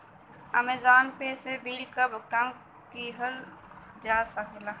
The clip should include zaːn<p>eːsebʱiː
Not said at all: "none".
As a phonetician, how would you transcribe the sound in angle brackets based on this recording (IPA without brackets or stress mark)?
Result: p